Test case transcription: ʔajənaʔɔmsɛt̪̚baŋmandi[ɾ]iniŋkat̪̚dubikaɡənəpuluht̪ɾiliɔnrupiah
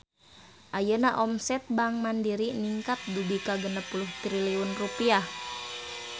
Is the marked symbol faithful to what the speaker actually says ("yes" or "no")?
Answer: yes